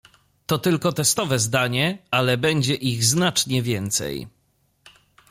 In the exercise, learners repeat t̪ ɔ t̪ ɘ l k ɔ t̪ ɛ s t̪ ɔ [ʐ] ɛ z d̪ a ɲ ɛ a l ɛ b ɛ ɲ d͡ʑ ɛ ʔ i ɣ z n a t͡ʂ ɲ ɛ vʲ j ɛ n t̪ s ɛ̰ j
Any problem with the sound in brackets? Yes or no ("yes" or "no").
yes